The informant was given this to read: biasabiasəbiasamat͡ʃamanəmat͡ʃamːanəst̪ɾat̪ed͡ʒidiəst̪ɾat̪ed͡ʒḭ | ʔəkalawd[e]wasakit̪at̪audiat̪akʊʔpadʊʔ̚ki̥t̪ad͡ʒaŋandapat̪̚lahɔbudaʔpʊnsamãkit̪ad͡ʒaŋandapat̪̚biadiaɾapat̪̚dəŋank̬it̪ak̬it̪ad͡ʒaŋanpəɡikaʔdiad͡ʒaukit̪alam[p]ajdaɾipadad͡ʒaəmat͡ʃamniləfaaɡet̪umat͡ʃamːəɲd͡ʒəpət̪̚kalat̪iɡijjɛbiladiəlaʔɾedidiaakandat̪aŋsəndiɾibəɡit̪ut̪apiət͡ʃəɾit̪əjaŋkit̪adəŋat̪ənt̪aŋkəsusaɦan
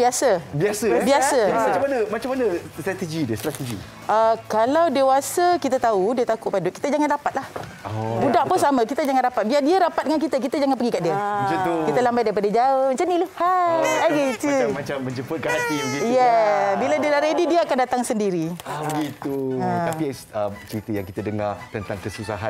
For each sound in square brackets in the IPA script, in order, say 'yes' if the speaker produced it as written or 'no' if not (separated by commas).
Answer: yes, no